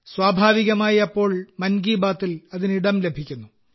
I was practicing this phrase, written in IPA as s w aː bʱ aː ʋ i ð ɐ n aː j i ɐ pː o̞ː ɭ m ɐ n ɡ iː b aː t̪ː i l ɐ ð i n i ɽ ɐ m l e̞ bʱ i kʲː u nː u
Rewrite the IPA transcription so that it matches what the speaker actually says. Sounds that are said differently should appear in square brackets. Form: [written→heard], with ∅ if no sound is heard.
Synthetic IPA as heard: s w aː bʱ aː ʋ i [ð→ɣ] ɐ [n→m] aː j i ɐ pː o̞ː ɭ m ɐ n ɡ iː b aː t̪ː i l ɐ ð i n i ɽ ɐ m l e̞ bʱ i kʲː u nː u